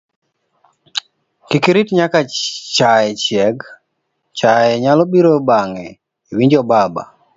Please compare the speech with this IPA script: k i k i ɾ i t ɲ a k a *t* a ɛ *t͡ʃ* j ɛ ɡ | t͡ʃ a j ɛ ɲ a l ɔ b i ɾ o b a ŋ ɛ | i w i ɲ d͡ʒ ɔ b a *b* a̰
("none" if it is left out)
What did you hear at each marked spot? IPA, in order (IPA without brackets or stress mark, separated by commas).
t͡ʃ, t͡ʃ, b